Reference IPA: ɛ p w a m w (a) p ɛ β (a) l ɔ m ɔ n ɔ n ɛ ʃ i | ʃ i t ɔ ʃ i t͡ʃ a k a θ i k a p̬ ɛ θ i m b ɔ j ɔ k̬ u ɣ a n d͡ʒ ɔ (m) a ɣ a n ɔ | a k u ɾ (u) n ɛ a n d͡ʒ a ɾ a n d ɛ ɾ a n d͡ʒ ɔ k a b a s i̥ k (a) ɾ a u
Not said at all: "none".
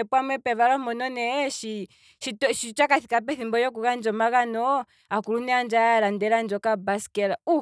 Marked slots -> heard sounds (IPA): ɛ, a, m, u, ɛ

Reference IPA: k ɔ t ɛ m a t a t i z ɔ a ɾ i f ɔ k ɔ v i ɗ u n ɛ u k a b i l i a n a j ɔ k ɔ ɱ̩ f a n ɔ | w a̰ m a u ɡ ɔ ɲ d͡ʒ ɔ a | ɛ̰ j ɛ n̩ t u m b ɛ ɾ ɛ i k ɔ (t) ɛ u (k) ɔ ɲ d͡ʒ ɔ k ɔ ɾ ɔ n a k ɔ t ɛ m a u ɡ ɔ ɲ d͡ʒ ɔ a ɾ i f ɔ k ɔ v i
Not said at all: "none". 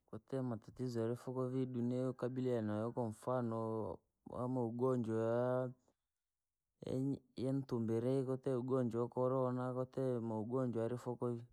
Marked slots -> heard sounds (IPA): t, ɡ

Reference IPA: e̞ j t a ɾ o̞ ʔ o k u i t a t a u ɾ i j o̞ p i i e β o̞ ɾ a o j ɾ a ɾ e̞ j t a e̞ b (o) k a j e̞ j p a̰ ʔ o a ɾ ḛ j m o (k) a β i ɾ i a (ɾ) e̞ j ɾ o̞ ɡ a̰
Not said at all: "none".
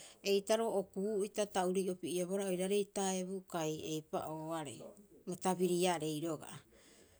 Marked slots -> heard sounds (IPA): u, t, ɾ

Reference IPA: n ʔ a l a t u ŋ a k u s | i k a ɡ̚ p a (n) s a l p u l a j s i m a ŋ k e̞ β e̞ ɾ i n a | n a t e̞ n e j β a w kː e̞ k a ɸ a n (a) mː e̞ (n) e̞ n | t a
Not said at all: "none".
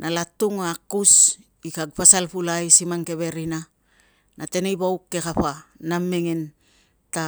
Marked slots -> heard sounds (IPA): none, a, ŋ

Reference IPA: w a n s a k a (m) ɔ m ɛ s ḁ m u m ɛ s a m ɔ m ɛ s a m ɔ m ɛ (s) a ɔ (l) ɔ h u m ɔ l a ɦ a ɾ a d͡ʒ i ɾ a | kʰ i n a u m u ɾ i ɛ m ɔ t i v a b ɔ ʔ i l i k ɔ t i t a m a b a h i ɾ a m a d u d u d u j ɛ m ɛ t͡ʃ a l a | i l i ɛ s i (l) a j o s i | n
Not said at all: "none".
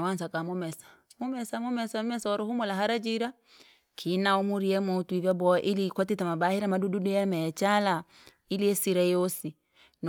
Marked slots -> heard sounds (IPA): m, s, ɾ, ɾ

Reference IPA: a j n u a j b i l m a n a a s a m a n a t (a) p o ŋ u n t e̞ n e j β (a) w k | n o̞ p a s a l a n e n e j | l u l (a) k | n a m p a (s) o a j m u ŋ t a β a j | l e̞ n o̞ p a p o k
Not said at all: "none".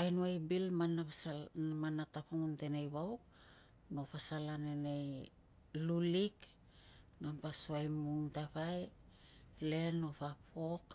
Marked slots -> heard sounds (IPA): a, a, i, s

